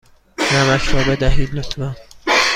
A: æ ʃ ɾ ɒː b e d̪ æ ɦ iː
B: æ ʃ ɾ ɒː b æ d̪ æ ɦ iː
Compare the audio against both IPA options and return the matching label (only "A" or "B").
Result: A